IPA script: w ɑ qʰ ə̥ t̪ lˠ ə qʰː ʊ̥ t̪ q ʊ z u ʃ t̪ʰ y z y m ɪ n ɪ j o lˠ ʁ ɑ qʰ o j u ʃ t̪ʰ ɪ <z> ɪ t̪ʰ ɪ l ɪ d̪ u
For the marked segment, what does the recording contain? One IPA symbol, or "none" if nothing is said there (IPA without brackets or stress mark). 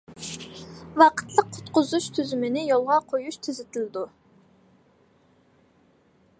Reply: z